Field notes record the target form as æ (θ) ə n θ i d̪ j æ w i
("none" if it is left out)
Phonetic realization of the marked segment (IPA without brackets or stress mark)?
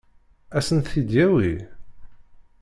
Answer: s